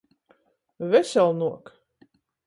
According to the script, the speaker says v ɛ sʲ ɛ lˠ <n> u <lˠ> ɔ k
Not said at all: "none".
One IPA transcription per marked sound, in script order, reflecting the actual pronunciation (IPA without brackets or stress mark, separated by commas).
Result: n, none